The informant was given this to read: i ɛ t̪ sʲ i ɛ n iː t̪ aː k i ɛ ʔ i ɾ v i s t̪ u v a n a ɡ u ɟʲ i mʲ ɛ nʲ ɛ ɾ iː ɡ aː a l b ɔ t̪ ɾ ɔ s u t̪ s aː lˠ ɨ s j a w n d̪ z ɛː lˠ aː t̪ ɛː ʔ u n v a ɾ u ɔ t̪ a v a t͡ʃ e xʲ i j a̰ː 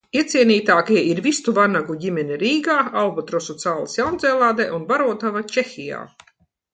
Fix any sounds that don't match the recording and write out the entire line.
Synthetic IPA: i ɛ t̪ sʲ i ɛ n iː t̪ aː k i ɛ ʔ i ɾ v i s t̪ u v a n a ɡ u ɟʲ i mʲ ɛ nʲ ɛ ɾ iː ɡ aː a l b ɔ t̪ ɾ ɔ s u t̪ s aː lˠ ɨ s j a w n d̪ z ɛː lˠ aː d̪ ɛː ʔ u n v a ɾ u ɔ t̪ a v a t͡ʃ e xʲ i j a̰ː